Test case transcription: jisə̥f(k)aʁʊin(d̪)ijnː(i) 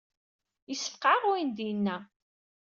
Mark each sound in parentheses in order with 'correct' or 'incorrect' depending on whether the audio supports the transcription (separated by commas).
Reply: incorrect, correct, incorrect